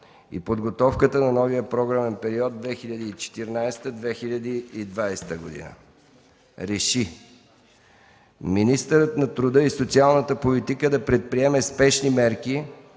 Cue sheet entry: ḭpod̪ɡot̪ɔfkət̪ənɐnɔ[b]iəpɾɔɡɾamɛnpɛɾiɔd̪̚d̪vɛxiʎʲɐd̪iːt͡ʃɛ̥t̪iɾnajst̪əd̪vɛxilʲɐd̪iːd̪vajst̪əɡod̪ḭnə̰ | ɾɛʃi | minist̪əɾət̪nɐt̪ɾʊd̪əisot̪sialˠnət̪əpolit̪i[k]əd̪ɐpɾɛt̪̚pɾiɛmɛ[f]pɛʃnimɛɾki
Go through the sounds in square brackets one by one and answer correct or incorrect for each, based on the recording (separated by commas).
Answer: incorrect, correct, incorrect